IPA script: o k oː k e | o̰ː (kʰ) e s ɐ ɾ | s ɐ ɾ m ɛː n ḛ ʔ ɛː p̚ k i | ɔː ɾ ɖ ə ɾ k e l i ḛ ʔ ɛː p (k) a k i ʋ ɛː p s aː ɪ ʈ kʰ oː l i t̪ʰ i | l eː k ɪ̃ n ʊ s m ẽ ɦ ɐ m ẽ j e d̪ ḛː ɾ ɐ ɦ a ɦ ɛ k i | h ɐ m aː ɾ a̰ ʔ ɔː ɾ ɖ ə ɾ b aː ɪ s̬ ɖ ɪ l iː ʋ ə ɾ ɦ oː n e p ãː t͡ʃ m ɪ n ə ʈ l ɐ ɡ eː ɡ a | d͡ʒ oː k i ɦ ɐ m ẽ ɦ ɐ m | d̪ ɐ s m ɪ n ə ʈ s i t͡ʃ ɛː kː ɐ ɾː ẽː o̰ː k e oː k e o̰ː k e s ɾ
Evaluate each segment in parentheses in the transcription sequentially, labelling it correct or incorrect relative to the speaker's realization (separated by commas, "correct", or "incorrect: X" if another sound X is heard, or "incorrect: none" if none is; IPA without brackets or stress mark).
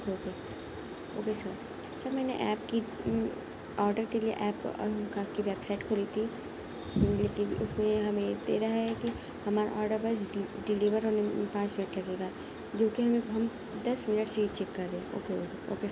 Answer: incorrect: k, correct